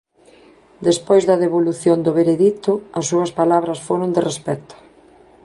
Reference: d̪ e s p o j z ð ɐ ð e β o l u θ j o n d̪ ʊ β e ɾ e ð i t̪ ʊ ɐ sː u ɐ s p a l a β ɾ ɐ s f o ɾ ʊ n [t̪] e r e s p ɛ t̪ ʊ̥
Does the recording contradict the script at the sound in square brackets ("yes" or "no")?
yes